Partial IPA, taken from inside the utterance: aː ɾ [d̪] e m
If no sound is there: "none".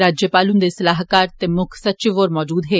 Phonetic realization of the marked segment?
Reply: t̪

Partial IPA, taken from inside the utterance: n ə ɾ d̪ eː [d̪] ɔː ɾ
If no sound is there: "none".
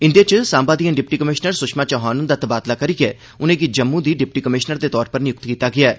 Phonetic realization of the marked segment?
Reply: t̪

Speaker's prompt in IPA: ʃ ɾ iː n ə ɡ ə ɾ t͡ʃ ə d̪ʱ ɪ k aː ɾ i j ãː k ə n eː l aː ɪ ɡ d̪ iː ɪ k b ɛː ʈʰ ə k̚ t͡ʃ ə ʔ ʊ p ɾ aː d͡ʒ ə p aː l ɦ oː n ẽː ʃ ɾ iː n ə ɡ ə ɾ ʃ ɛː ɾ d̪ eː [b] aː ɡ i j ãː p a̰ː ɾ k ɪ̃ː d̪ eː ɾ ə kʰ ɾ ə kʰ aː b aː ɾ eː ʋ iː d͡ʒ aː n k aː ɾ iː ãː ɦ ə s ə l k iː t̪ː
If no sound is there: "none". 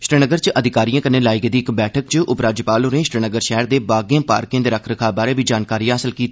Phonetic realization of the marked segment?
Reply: b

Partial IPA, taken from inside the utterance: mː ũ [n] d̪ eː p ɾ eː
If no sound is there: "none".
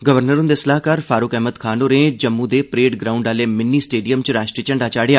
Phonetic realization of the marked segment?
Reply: none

